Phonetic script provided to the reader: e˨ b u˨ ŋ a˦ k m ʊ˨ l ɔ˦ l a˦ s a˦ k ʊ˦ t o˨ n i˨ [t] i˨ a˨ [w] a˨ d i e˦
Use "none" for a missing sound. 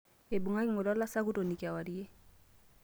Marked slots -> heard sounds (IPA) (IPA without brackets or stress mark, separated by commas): k, w